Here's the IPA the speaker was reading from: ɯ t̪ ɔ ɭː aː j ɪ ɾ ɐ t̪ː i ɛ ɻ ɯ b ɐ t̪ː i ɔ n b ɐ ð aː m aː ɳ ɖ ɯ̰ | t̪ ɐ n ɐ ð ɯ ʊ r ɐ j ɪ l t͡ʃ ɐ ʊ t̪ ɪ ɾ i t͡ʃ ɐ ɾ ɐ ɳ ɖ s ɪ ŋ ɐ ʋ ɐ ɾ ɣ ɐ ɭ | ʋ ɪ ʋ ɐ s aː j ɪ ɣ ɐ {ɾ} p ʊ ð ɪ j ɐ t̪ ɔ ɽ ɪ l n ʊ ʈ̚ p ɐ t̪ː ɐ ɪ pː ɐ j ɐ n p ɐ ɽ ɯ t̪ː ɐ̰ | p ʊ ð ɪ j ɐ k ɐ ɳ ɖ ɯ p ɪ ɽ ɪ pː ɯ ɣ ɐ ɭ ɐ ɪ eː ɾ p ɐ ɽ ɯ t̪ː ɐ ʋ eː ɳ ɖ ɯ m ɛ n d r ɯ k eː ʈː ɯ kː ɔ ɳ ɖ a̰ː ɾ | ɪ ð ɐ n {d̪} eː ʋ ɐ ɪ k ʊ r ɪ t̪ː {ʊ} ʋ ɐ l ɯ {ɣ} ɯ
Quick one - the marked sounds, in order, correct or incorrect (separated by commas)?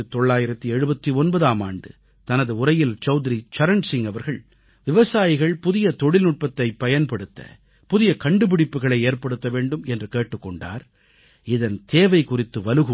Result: incorrect, incorrect, incorrect, correct